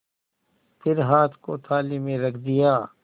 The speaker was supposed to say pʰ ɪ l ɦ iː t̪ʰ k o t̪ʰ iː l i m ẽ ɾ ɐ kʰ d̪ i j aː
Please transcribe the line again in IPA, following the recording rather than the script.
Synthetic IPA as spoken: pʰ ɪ ɾ ɦ aː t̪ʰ k o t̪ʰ aː l i m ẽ ɾ ɐ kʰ d̪ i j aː

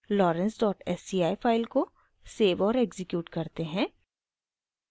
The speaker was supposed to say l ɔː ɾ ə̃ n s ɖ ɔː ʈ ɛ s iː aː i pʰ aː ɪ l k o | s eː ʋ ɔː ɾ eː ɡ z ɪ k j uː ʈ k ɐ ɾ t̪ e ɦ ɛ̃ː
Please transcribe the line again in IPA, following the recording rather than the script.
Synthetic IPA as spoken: l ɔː ɾ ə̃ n s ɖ ɔː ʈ ɛ s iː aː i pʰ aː ɪ l k o | s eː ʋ ɔː ɾ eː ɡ z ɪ k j uː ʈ k ɐ ɾ t̪ e ɦ ɛ̃ː

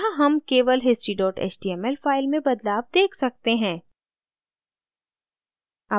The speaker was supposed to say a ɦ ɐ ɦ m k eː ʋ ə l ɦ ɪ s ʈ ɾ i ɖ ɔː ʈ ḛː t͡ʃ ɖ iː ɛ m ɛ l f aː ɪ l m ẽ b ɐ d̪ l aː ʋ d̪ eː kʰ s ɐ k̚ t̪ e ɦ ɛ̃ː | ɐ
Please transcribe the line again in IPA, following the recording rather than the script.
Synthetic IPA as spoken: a ɦ ɐ m k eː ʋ ə l ɦ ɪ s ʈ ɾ i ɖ ɔː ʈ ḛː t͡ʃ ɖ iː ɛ m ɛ l f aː ɪ l m ẽ b ɐ d̪ l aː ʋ d̪ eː kʰ s ɐ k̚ t̪ e ɦ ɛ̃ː | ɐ

